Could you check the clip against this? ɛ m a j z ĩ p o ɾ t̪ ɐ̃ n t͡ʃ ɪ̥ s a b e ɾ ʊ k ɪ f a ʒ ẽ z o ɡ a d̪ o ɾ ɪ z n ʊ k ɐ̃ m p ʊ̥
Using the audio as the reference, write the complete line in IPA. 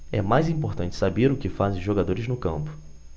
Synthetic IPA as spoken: ɛ m a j z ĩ p o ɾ t̪ ɐ̃ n t͡ʃ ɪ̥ s a b e ɾ ʊ k ɪ f a z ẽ ʒ o ɡ a d̪ o ɾ ɪ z n ʊ k ɐ̃ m p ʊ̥